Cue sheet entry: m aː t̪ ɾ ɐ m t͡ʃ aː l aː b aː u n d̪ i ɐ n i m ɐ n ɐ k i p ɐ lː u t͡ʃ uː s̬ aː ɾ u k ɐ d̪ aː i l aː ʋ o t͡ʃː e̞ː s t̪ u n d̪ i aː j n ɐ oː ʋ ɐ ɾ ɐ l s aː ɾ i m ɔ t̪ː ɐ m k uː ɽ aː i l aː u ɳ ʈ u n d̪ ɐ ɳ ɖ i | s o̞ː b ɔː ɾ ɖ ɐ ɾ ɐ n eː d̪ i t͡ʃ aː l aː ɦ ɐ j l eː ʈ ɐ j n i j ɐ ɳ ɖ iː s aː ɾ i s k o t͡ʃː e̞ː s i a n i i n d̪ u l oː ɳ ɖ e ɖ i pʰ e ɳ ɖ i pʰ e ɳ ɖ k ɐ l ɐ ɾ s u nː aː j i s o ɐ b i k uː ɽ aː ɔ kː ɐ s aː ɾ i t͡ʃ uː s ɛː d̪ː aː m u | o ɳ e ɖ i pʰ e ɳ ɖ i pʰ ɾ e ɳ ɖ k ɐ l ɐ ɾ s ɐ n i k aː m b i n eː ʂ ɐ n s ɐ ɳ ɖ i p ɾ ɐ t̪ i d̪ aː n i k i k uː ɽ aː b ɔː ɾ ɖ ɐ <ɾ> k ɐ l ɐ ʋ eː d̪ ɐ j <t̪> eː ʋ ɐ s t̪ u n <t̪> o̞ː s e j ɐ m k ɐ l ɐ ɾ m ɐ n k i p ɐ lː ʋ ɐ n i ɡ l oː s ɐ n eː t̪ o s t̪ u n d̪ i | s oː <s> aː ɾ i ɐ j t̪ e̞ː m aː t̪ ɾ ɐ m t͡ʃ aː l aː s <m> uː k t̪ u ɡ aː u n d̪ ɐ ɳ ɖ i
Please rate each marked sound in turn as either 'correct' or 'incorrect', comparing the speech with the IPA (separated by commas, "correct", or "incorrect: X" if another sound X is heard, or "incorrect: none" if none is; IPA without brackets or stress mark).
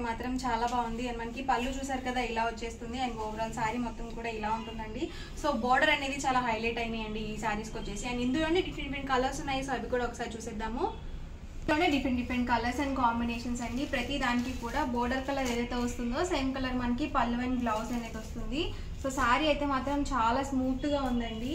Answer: correct, correct, incorrect: d̪, correct, correct